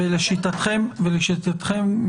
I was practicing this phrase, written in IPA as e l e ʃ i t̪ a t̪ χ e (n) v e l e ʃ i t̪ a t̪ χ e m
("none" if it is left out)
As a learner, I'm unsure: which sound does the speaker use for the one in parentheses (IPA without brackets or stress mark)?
m